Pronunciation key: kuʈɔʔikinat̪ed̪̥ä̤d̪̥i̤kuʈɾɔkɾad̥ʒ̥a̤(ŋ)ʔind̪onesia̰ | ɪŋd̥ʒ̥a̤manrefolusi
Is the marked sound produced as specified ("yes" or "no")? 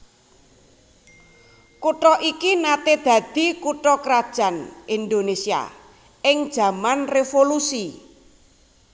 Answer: no